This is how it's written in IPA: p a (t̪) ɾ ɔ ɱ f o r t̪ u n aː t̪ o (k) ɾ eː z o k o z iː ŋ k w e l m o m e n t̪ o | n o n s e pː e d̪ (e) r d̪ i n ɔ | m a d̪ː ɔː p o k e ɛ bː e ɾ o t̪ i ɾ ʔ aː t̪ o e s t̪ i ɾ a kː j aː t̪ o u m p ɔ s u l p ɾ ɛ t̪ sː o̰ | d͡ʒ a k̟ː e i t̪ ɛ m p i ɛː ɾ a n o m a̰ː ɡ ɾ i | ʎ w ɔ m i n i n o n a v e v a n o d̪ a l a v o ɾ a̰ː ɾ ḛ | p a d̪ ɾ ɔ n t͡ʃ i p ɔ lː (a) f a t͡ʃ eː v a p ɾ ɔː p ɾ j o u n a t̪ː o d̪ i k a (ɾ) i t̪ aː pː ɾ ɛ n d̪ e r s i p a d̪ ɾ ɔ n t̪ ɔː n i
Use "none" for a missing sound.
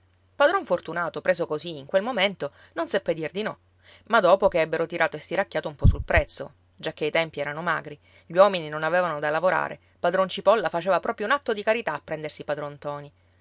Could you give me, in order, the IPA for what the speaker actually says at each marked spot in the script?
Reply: d̪, p, i, a, ɾ

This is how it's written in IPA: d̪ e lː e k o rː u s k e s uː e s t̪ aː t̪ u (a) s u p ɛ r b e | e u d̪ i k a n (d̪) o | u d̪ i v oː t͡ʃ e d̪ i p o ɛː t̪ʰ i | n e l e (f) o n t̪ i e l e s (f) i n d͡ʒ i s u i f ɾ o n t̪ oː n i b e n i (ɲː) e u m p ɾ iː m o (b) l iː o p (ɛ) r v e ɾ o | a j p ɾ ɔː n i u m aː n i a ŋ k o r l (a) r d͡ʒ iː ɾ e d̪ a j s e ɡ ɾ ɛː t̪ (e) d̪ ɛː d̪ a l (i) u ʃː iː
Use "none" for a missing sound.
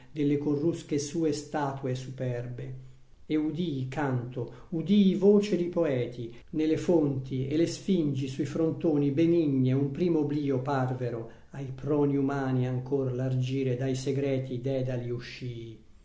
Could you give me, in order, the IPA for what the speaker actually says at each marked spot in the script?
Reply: e, t̪, f, f, ɲː, b, a, a, i, i

